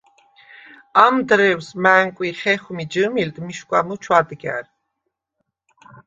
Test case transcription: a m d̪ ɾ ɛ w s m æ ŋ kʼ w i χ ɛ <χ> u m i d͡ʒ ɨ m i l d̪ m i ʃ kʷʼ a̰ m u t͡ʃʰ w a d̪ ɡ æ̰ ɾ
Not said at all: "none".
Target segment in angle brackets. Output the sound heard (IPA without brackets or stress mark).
χ